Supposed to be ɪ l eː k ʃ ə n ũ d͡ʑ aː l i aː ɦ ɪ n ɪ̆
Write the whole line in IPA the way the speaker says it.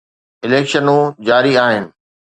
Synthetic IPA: ɪ l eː k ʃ ə n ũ d͡ʑ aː ɾ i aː ɦ ɪ n ɪ̆